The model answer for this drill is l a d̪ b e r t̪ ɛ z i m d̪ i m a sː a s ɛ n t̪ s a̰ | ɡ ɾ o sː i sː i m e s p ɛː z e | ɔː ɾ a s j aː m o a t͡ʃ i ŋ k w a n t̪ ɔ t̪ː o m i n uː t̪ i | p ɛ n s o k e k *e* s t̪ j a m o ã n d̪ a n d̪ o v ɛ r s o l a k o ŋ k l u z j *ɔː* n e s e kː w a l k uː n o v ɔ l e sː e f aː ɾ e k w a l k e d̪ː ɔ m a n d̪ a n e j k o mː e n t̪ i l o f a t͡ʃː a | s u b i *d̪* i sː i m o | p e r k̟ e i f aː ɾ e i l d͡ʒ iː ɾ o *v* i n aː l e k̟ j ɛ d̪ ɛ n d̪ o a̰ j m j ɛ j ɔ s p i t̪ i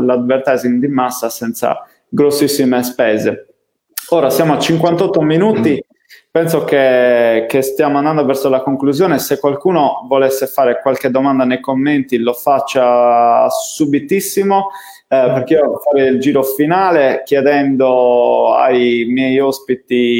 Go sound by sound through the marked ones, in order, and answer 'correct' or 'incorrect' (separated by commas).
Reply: correct, correct, incorrect, incorrect